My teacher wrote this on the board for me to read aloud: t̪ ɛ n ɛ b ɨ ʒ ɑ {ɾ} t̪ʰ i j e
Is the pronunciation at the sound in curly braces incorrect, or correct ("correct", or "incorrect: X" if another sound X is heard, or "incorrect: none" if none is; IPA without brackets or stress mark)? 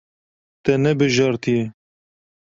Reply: correct